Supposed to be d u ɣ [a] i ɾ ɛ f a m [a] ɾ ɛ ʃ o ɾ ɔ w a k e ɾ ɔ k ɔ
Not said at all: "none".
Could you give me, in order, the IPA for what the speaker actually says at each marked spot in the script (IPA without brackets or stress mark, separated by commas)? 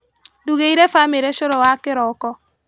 e, e